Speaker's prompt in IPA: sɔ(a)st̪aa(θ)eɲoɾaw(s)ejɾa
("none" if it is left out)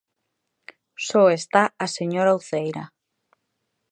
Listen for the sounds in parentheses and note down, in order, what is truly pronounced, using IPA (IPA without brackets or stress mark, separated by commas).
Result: e, s, θ